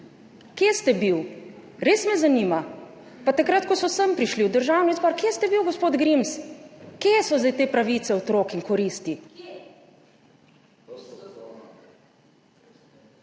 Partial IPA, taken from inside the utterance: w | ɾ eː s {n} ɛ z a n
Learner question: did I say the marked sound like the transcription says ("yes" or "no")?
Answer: no